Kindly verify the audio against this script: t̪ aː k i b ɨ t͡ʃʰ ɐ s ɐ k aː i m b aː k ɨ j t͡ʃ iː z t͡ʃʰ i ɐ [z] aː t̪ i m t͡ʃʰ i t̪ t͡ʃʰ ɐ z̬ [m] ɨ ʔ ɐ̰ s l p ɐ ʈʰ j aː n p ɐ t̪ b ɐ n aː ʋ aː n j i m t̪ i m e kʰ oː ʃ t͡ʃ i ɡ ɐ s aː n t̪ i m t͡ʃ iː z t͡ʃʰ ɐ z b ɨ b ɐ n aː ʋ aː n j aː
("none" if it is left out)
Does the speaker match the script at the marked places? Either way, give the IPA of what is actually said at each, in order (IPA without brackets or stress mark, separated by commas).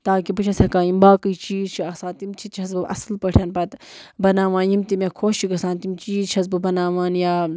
s, b